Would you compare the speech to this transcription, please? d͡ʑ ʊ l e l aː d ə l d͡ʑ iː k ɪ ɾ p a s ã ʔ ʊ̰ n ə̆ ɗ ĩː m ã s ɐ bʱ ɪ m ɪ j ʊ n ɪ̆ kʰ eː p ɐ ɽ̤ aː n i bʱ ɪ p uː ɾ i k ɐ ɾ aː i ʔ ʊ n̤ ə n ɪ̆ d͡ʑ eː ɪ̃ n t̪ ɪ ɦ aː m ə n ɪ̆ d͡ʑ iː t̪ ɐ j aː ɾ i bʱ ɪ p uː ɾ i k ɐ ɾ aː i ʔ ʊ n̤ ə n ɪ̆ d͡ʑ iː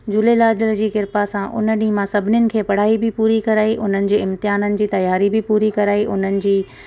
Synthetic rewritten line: d͡ʑ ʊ l e l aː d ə l d͡ʑ iː k ɪ ɾ p a s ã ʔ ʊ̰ n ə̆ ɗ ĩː m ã s ɐ bʱ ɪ n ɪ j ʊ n ɪ̆ kʰ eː p ɐ ɽ̤ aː i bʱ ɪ p uː ɾ i k ɐ ɾ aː i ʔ ʊ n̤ ə n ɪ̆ d͡ʑ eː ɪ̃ m t̪ ɪ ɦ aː n ə n ɪ̆ d͡ʑ iː t̪ ɐ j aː ɾ i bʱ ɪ p uː ɾ i k ɐ ɾ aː i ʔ ʊ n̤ ə n ɪ̆ d͡ʑ iː